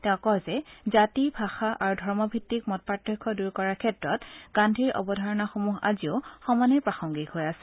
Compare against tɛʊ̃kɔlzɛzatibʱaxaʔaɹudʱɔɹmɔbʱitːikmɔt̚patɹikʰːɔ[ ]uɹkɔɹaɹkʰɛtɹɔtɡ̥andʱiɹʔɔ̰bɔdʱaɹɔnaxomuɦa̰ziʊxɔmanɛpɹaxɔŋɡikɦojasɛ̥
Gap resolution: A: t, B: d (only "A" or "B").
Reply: B